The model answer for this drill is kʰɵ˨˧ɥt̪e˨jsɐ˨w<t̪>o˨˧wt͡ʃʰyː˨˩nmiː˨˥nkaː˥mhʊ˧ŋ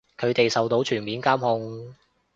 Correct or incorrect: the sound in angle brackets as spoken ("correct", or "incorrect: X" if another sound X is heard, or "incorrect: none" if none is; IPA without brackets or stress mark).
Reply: correct